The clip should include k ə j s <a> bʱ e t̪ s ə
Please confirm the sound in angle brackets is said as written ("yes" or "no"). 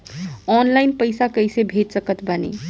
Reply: no